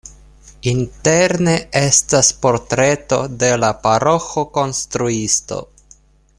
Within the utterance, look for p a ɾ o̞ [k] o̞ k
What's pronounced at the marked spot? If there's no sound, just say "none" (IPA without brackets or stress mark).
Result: x